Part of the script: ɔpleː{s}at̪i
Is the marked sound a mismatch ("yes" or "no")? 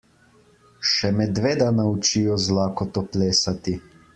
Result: no